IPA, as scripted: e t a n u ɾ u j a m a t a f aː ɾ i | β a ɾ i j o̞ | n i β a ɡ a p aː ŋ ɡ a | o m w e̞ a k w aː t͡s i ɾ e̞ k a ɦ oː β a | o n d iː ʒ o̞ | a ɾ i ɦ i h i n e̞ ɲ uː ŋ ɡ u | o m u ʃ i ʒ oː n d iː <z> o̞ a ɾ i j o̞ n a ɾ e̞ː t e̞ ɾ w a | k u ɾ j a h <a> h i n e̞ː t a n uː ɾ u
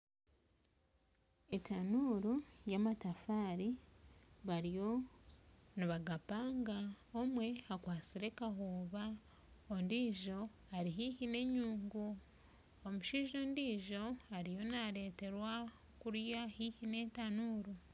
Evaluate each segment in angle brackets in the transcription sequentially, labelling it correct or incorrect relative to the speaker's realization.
incorrect: ʒ, incorrect: i

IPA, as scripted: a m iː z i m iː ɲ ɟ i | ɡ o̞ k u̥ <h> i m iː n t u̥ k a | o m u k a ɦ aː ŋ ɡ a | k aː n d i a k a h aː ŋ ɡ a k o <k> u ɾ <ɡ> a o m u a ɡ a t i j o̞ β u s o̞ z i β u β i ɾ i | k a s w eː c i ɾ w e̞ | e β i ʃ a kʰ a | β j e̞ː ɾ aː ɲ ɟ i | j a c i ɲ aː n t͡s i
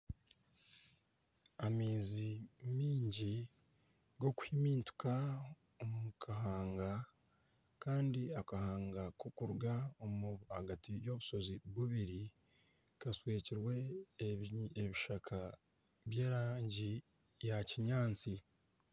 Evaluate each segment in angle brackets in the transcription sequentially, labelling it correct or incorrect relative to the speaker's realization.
correct, correct, correct

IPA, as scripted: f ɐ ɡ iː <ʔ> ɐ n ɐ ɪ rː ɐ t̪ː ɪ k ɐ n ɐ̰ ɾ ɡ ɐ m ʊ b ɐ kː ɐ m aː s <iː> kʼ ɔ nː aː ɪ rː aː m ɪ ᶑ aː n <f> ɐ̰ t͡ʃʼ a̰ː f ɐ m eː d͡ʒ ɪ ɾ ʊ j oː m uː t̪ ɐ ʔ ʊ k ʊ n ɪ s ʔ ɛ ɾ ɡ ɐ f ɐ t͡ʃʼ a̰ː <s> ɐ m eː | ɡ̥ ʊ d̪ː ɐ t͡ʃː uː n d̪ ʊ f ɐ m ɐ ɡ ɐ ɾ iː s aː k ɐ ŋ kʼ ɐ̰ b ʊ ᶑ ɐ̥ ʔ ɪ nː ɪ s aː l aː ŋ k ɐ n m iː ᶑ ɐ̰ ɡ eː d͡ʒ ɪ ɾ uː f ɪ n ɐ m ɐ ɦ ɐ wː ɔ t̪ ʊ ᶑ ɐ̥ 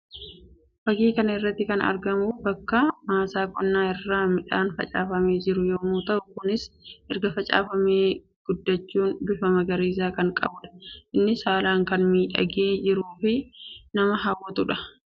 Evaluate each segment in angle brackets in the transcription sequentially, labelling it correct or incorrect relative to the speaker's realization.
incorrect: k, incorrect: aː, correct, incorrect: f

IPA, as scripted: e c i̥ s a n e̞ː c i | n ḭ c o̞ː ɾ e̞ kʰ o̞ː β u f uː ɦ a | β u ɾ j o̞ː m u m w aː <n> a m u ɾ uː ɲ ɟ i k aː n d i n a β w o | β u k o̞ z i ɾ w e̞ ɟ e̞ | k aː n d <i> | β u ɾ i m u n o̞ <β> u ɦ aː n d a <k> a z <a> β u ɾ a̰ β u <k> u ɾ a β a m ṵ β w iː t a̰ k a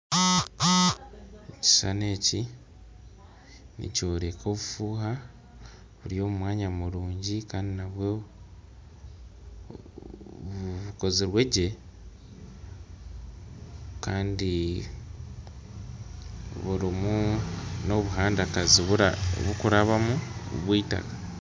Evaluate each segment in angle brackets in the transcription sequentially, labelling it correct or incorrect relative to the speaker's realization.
incorrect: ɲ, correct, correct, correct, incorrect: i, correct

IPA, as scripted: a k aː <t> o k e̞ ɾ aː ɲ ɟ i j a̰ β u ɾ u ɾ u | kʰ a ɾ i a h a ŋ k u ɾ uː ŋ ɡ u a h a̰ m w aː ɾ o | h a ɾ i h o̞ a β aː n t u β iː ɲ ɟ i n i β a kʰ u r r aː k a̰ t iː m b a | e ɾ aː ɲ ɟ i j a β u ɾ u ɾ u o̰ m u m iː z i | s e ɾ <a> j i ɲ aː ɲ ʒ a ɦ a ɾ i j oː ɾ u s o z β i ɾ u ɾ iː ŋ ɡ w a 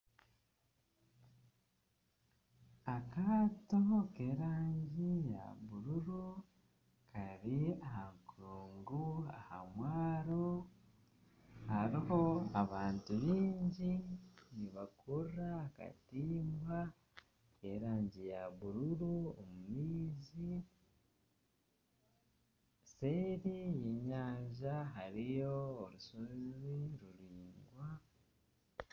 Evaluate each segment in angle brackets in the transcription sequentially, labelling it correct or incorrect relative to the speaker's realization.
correct, incorrect: i

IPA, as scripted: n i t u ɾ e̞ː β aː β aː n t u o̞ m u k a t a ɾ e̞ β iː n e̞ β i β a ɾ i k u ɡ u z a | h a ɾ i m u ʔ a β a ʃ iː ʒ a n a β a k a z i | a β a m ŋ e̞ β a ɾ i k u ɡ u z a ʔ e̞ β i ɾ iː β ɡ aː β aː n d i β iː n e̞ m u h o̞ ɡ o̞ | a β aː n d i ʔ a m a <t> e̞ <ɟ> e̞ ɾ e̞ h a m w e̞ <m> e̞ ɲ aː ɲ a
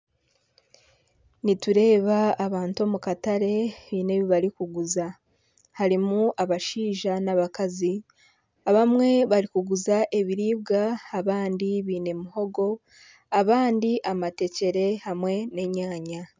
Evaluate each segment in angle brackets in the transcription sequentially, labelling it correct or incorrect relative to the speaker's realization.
correct, incorrect: c, incorrect: n

